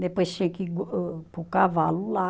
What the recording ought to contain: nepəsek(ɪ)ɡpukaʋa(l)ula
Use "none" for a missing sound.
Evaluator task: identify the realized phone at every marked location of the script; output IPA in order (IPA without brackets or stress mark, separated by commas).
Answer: i, l